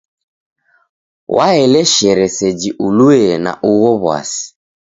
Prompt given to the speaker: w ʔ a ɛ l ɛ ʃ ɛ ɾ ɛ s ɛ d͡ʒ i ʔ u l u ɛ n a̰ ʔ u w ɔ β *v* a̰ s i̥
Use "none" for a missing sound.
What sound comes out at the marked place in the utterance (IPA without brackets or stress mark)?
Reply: w